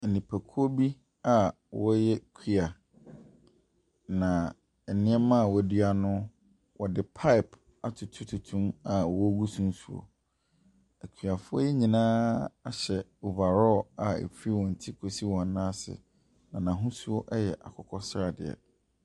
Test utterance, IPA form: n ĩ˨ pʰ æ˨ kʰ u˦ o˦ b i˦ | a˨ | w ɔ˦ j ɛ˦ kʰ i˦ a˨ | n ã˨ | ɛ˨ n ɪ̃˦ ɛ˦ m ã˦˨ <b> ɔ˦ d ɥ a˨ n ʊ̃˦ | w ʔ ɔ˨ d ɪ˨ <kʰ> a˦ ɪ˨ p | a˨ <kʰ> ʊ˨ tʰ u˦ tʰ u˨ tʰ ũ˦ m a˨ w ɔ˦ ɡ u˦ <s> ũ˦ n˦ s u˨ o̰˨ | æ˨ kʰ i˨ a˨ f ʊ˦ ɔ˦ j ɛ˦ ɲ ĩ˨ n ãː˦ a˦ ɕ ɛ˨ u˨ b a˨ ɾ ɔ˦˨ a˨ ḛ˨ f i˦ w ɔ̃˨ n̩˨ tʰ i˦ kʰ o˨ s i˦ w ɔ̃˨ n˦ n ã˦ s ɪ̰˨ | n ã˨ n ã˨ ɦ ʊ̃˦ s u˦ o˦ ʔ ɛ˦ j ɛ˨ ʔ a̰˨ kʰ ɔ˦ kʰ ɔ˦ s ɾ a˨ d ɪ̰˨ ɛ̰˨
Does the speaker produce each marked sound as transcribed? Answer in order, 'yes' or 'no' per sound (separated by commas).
no, no, no, yes